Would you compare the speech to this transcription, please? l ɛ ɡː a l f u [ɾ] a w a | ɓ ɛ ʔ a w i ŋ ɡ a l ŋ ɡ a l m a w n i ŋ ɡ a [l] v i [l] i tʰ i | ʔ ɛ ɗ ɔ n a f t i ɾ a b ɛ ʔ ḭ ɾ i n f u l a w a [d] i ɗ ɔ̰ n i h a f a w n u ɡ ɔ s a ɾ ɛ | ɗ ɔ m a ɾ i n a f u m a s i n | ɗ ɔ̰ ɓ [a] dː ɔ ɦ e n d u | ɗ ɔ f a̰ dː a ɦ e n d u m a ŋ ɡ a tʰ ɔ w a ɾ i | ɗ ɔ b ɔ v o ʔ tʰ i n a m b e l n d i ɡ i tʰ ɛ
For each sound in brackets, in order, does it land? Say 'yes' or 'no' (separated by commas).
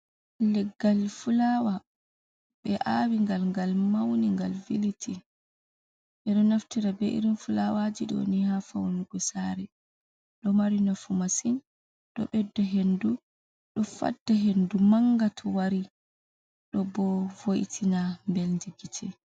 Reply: no, yes, yes, no, no